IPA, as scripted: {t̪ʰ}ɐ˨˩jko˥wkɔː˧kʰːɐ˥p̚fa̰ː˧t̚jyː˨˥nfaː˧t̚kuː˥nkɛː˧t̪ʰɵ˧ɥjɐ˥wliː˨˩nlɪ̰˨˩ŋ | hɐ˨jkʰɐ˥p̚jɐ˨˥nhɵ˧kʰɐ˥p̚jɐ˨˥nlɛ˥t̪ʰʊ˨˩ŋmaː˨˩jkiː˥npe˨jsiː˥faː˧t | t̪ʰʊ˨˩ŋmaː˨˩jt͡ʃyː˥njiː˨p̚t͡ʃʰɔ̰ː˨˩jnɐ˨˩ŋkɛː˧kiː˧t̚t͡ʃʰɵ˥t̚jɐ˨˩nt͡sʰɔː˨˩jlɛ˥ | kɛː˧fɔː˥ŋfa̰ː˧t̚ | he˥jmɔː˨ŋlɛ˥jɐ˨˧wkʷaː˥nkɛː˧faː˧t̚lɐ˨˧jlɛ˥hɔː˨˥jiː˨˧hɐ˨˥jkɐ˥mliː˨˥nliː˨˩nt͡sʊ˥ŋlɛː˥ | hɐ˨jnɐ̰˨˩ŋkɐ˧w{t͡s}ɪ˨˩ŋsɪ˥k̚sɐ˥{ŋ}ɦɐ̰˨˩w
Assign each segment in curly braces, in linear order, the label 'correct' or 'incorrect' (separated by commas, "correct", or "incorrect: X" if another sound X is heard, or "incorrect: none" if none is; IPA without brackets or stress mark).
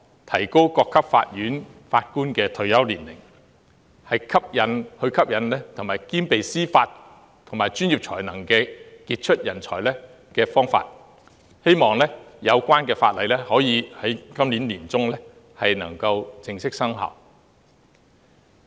correct, correct, correct